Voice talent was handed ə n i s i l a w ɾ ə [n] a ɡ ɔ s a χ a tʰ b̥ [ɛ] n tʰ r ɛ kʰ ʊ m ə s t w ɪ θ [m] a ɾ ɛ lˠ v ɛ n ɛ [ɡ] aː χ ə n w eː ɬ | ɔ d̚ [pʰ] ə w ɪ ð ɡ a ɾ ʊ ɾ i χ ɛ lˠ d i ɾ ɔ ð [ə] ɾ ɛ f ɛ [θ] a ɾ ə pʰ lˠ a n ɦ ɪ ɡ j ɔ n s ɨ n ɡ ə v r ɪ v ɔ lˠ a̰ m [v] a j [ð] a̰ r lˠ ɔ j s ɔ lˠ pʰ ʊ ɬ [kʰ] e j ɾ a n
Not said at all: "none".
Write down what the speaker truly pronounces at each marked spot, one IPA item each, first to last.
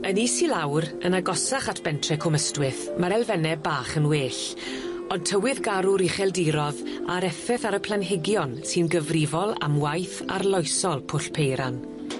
n, ɛ, m, b, tʰ, a, θ, w, θ, pʰ

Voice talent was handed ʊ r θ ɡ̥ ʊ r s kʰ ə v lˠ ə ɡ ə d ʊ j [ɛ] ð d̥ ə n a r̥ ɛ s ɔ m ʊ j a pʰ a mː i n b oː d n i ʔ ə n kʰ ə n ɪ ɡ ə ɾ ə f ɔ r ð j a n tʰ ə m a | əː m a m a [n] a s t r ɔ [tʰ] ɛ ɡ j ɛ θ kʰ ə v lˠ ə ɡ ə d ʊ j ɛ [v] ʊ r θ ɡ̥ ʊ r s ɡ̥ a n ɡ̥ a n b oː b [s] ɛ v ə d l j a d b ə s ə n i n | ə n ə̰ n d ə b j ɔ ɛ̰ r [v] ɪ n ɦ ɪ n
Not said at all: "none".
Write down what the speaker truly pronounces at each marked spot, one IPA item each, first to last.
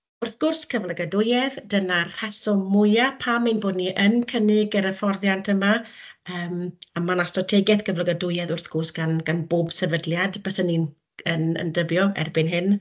ɛ, n, tʰ, ð, s, b

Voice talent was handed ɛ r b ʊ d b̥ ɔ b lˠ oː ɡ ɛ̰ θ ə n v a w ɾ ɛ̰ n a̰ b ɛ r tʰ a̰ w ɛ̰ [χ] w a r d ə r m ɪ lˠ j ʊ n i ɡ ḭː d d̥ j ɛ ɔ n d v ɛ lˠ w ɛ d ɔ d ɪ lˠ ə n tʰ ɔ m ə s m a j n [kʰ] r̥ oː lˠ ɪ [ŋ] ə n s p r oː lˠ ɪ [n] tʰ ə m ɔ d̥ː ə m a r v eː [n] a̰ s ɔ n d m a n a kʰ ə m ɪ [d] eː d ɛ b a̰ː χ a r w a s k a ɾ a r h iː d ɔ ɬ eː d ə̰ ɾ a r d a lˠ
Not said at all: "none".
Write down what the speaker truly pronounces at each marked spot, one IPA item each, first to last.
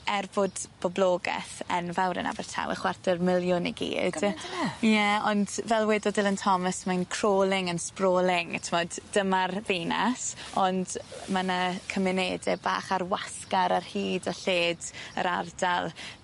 χ, kʰ, ŋ, ŋ, n, n

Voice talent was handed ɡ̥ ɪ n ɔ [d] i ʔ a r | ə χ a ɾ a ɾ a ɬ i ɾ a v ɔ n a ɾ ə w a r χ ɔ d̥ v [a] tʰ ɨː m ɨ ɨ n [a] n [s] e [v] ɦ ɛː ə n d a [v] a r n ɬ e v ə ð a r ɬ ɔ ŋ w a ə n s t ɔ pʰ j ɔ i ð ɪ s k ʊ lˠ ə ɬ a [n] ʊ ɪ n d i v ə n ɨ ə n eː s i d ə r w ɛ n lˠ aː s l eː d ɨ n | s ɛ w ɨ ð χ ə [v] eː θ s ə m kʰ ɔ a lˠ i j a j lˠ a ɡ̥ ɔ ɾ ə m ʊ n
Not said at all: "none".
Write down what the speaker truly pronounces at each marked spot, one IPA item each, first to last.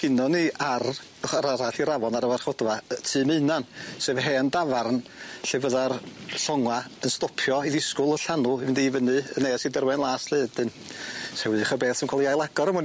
n, a, a, s, v, v, n, b

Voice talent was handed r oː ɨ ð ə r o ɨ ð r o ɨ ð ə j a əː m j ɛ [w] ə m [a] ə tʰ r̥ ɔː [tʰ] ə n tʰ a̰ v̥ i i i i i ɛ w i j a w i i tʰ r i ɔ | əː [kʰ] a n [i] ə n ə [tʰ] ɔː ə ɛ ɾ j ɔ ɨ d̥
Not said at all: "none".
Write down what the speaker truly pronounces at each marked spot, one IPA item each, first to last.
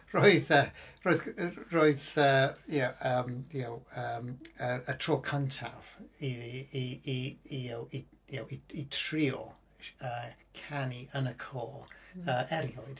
w, ə, kʰ, kʰ, i, kʰ

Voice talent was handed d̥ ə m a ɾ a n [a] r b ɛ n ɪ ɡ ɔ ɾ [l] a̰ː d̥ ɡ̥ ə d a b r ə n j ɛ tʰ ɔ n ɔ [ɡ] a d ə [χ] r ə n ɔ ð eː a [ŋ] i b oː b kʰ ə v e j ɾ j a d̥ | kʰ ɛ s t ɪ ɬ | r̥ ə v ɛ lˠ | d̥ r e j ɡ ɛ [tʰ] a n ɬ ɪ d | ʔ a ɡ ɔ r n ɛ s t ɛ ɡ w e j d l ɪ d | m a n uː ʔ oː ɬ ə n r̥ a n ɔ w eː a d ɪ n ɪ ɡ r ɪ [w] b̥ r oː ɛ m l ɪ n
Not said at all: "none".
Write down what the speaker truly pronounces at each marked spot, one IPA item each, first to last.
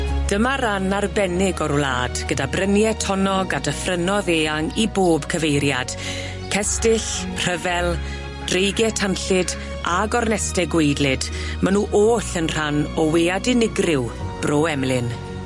a, l, ɡ, f, ŋ, tʰ, w

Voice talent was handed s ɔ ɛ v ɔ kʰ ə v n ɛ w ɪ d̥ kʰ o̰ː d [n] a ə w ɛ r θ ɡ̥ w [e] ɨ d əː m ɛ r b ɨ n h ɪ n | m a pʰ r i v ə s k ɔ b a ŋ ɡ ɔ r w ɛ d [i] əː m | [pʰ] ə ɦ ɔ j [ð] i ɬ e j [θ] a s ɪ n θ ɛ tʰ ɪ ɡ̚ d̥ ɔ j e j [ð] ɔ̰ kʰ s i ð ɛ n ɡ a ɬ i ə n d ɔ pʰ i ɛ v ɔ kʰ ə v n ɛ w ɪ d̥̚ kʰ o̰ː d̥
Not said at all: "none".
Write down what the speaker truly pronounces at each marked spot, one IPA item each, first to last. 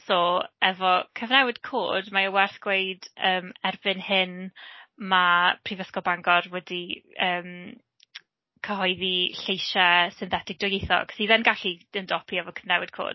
m, e, i, kʰ, ð, ʃ, θ

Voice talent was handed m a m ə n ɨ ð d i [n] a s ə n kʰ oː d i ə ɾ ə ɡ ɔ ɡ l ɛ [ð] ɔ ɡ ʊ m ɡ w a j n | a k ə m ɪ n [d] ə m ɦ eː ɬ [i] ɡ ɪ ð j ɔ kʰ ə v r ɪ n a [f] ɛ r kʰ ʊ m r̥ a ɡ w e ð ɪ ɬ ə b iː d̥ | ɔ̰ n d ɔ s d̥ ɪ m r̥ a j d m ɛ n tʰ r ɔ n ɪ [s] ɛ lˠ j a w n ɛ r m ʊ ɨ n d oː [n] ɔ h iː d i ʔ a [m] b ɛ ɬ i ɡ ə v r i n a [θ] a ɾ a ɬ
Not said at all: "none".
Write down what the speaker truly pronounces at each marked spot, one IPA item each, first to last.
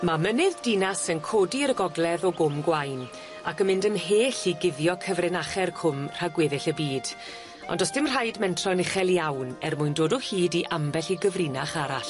n, ð, d, i, χ, χ, d, m, χ

